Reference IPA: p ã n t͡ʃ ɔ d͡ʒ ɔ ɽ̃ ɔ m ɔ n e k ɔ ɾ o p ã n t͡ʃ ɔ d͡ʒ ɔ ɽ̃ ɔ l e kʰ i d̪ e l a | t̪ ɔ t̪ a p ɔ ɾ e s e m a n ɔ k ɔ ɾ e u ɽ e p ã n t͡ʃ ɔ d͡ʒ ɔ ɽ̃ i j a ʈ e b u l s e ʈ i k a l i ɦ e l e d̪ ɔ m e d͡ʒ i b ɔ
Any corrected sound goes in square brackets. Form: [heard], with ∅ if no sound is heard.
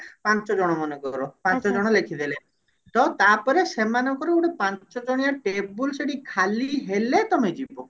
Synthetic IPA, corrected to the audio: p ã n t͡ʃ ɔ d͡ʒ ɔ ɽ̃ ɔ m ɔ n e k ɔ ɾ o p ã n t͡ʃ ɔ d͡ʒ ɔ ɽ̃ ɔ l e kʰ i d̪ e l [e] | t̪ ɔ t̪ a p ɔ ɾ e s e m a n ɔ k ɔ ɾ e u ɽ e p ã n t͡ʃ ɔ d͡ʒ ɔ ɽ̃ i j a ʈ e b u l s e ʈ i [kʰ] a l i ɦ e l e [t̪] ɔ m e d͡ʒ i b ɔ